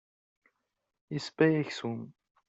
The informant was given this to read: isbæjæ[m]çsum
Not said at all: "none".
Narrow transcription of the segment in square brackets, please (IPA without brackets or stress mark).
none